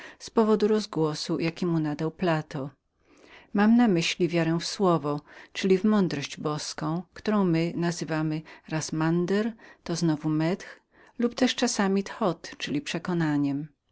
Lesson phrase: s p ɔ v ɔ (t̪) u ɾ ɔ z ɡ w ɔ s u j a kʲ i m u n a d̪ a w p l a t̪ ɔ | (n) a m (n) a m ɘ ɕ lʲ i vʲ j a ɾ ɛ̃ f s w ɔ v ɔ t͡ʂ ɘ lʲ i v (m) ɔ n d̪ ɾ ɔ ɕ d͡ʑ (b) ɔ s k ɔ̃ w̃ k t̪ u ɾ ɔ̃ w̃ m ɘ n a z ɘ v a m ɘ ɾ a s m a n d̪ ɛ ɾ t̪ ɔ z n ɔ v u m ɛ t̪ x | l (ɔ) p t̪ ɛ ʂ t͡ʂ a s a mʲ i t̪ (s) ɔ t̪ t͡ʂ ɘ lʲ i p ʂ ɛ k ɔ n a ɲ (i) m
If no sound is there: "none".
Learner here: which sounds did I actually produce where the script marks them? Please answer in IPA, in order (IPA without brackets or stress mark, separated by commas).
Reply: d̪, m, n, m, b, u, x, ɛ